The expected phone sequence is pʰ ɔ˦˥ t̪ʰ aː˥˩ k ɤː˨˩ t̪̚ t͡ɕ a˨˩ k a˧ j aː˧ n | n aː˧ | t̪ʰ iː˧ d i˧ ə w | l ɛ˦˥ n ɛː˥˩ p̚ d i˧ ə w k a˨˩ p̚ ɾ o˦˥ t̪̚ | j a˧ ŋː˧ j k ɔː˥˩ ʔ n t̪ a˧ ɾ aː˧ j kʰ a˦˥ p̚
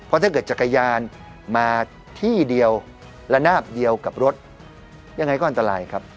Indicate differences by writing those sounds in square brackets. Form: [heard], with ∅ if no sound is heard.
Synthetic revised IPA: pʰ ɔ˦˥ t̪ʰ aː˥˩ k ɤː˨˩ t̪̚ t͡ɕ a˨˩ k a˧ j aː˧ n | [m] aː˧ | t̪ʰ [iː˥˩] d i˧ ə w | l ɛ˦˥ n [aː˥˩] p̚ d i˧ ə w k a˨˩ p̚ ɾ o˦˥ t̪̚ | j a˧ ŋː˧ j k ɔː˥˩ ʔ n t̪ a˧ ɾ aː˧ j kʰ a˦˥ p̚